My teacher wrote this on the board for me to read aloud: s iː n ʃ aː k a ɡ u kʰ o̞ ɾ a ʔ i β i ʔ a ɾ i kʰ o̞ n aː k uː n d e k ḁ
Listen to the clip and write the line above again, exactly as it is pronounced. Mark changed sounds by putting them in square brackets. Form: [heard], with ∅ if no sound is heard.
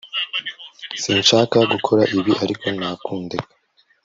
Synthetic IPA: s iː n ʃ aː k a ɡ u kʰ o̞ ɾ a ʔ i β i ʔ a ɾ i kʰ o̞ n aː k uː n d e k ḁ